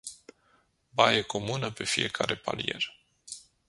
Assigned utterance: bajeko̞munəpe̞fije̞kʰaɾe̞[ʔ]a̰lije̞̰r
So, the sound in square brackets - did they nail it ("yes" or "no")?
no